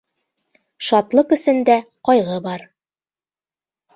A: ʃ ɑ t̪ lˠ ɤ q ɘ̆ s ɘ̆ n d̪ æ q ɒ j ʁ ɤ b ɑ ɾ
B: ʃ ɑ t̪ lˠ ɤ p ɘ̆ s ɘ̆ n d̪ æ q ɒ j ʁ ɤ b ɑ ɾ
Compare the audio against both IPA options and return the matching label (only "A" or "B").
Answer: A